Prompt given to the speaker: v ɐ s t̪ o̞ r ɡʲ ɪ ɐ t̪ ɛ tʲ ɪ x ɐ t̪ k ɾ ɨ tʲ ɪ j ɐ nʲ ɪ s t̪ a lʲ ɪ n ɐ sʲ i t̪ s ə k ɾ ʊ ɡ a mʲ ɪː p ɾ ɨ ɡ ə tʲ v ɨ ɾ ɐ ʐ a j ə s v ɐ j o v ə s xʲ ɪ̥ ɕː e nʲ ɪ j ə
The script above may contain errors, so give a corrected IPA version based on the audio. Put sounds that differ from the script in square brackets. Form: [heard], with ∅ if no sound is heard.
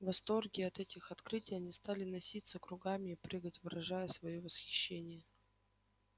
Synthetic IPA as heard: v ɐ s t̪ o̞ r ɡʲ ɪ ɐ t̪ ɛ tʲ ɪ x ɐ t̪ k ɾ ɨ tʲ ɪ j ɐ nʲ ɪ s t̪ a lʲ ɪ n ɐ sʲ i t̪ s ə k ɾ ʊ ɡ a mʲ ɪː p ɾ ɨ ɡ ə tʲ v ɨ ɾ ɐ ʐ a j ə s v ɐ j o v ə s xʲ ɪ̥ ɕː e nʲ ɪ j ə

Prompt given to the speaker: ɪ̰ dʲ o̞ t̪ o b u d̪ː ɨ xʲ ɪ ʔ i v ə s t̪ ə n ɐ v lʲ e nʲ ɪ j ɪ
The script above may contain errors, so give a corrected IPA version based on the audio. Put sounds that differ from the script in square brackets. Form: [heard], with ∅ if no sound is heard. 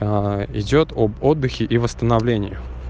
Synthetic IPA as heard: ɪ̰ dʲ o̞ t̪ o b [o] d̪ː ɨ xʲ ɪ ʔ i v ə s t̪ ə n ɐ v lʲ e nʲ ɪ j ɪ

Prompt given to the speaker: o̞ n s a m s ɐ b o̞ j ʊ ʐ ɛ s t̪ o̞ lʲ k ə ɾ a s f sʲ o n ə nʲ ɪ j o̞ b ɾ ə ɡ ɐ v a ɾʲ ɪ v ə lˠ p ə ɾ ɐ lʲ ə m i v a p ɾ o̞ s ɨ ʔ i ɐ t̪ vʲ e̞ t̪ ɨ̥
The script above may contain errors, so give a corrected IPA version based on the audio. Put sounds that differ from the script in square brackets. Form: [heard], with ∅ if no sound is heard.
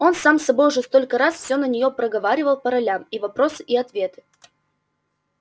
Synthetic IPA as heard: o̞ n s a m s ɐ b o̞ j ʊ ʐ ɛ s t̪ o̞ lʲ k ə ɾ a s f sʲ o n ə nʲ ɪ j o̞ [p] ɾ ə ɡ ɐ v a ɾʲ ɪ v ə lˠ p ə ɾ ɐ lʲ [a] m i v [ɐ] p ɾ o̞ s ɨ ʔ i ɐ t̪ vʲ e̞ t̪ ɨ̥

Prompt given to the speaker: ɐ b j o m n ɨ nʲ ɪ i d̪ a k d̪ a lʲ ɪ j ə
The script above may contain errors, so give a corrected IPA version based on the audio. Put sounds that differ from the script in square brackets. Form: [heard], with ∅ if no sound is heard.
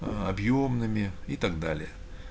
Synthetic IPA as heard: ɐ b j o m n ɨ [mʲ] ɪ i [t̪] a [ɡ] d̪ a lʲ ɪ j ə

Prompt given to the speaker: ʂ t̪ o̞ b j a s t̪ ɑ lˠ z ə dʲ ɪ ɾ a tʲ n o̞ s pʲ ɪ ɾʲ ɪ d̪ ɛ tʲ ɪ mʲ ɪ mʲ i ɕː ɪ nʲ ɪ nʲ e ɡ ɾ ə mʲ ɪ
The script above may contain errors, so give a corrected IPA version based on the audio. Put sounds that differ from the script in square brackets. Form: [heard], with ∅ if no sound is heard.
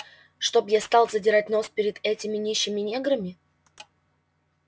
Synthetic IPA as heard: ʂ t̪ o̞ b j a s t̪ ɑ lˠ z ə dʲ ɪ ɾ a tʲ n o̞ s pʲ ɪ ɾʲ ɪ d̪ ɛ tʲ ɪ mʲ ɪ [nʲ] i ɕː ɪ [mʲ] ɪ nʲ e ɡ ɾ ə mʲ ɪ

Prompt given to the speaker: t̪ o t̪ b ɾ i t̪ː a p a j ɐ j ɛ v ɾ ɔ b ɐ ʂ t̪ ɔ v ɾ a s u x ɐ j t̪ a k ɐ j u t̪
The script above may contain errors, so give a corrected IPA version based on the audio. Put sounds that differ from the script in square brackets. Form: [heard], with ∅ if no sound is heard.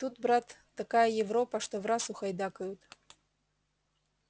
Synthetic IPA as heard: t̪ [u] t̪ b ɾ [a] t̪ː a [k] a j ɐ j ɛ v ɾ ɔ [p] ɐ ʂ t̪ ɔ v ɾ a s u x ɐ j [d̪] a k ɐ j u t̪

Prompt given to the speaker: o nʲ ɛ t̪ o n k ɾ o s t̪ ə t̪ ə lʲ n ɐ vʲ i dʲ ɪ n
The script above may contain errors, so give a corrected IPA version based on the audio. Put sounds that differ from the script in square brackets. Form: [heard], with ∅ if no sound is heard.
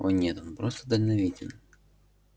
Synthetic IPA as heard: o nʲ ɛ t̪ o n [p] ɾ o s t̪ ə [d̪] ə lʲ n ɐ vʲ i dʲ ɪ n

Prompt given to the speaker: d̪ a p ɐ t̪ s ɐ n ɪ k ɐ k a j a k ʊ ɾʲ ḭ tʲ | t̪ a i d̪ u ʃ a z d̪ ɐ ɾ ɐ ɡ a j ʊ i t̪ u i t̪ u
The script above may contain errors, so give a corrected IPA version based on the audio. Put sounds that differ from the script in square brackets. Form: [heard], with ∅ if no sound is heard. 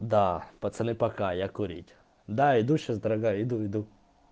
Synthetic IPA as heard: d̪ a p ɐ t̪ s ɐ n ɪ [p] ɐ k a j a k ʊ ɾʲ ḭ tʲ | [d̪] a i d̪ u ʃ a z d̪ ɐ ɾ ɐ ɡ a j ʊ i [d̪] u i [d̪] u

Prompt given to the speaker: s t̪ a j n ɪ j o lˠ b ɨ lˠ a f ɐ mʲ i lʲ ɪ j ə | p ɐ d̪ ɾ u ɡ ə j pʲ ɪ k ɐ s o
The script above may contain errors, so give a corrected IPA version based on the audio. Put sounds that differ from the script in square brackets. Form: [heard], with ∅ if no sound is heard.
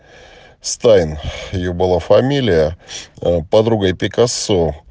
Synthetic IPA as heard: s t̪ a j n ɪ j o [∅] b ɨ lˠ a f ɐ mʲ i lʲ ɪ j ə | p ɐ d̪ ɾ u ɡ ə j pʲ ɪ k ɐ s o

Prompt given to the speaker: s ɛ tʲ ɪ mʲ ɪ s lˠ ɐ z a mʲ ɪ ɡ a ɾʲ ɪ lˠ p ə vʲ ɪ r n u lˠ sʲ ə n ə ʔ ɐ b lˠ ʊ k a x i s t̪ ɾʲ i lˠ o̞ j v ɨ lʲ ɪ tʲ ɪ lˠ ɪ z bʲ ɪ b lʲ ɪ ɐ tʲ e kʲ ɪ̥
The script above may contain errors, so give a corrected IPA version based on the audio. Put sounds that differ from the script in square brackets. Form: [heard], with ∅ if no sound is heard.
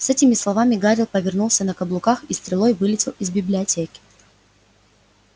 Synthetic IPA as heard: s ɛ tʲ ɪ mʲ ɪ s lˠ ɐ [v] a mʲ ɪ ɡ a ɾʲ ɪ lˠ p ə vʲ ɪ r n u lˠ sʲ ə n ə [k] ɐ b lˠ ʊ k a x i s t̪ ɾʲ [ɪ] lˠ o̞ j v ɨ lʲ ɪ tʲ ɪ lˠ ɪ z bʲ ɪ b lʲ ɪ ɐ tʲ e kʲ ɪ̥

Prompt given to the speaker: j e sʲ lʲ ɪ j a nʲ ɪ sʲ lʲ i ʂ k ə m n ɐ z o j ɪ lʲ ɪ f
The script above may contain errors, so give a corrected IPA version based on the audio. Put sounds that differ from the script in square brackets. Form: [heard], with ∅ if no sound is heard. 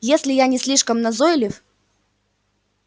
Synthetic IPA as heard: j e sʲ lʲ ɪ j a nʲ ɪ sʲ lʲ i ʂ k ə m n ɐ z o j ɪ lʲ ɪ f

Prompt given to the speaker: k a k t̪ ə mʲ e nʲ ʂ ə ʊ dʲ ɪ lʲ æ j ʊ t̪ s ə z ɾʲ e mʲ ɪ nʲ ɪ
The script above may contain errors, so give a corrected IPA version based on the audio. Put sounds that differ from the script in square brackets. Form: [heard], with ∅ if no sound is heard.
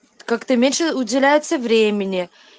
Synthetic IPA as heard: k a k t̪ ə mʲ e nʲ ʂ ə ʊ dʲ ɪ lʲ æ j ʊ t̪ s ə [v] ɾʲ e mʲ ɪ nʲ ɪ

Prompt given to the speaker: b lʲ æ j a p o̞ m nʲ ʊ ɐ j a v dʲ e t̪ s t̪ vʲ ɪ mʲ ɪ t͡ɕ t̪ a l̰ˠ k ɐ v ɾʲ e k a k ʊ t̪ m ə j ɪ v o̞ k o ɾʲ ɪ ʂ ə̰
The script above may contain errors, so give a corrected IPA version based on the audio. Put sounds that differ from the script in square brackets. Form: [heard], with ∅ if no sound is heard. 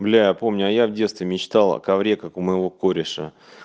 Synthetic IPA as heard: b lʲ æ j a p o̞ m nʲ ʊ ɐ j a v dʲ e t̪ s t̪ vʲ ɪ mʲ ɪ t͡ɕ t̪ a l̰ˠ k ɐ v ɾʲ e k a k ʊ [∅] m ə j ɪ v o̞ k o ɾʲ ɪ ʂ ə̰

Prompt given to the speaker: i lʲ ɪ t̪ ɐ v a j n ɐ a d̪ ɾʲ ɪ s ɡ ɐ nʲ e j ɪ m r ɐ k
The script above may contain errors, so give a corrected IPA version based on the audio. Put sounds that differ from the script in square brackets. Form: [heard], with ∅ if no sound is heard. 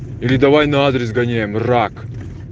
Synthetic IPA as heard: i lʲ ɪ [d̪] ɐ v a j n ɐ a d̪ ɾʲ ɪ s ɡ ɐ nʲ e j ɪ m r [a] k

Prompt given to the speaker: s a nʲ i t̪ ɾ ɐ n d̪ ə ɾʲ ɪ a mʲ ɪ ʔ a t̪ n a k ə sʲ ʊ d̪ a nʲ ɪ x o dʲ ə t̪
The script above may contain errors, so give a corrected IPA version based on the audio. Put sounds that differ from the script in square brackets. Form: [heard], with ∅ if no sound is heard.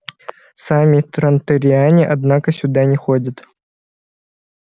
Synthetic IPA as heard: s a [mʲ] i t̪ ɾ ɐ n [t̪] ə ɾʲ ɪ a [nʲ] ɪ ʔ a [d̪] n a k ə sʲ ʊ d̪ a nʲ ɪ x o dʲ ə t̪

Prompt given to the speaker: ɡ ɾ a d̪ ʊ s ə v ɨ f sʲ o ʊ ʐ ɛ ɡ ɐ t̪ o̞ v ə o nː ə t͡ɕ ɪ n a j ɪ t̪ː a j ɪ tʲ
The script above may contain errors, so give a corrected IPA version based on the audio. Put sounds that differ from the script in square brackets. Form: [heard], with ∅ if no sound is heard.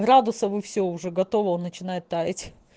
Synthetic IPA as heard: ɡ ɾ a d̪ ʊ s ə v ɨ f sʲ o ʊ ʐ ɛ ɡ ɐ t̪ o̞ v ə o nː ə t͡ɕ ɪ n a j ɪ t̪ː a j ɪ tʲ

